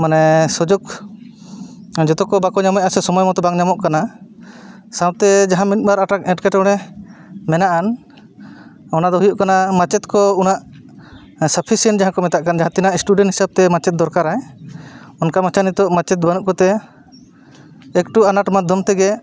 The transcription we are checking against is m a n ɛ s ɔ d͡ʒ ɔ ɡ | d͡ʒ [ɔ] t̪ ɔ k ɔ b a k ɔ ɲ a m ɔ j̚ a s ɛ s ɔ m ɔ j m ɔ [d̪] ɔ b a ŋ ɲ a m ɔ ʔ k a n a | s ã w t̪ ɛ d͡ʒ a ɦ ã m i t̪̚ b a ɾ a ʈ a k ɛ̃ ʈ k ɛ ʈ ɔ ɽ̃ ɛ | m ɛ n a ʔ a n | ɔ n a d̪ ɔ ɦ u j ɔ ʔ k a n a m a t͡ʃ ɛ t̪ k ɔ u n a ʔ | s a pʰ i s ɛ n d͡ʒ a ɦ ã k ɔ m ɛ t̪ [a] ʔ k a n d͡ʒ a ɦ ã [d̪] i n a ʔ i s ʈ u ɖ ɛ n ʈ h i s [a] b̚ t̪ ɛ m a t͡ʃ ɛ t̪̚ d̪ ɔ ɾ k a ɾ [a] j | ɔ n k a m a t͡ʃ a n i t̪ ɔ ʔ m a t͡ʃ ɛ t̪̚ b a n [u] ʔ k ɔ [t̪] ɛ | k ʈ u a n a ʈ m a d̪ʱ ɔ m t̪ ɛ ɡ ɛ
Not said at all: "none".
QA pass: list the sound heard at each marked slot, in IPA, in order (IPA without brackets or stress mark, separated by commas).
ɔ, t̪, a, t̪, a, a, u, t̪